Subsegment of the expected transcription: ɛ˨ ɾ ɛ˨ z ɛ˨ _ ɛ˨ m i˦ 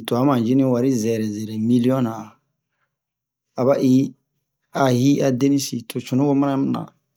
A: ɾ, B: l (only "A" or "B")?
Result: A